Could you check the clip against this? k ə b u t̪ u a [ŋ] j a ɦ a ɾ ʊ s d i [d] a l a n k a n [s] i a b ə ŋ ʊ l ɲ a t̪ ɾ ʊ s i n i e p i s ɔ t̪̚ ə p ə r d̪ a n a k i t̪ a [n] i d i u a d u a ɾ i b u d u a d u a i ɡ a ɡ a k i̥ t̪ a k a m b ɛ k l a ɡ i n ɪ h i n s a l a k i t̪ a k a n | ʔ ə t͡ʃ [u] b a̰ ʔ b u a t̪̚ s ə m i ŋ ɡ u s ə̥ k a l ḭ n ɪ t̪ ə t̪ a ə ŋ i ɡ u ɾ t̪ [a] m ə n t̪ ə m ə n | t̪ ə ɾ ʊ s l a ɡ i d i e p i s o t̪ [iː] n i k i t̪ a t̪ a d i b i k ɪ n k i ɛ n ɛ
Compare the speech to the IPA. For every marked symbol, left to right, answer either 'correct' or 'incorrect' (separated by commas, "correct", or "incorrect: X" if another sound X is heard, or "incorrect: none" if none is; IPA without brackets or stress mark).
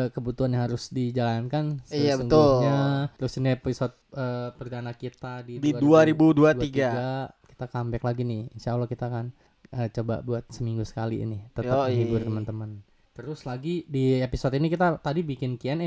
incorrect: n, incorrect: d͡ʒ, correct, incorrect: d, incorrect: o, incorrect: ə, incorrect: i